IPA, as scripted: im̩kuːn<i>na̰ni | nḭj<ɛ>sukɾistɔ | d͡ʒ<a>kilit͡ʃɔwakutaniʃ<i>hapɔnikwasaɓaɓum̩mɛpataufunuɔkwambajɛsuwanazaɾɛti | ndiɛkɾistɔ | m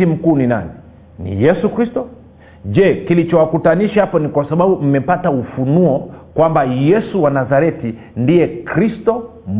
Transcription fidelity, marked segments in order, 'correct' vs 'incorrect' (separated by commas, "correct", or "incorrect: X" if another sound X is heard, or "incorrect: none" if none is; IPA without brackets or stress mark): correct, correct, incorrect: ɛ, incorrect: a